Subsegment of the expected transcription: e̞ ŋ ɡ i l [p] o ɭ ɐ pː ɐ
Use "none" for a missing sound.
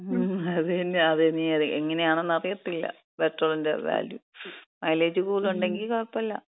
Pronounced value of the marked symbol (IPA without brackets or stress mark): k